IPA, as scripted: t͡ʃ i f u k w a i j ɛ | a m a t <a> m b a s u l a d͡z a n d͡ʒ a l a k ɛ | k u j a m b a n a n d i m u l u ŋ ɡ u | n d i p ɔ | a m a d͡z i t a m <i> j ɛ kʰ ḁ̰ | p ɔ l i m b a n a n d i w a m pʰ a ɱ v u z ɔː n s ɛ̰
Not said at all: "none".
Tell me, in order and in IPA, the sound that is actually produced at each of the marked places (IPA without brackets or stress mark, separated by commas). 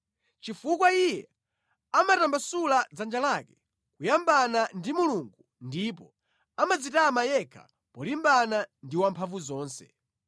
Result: a, a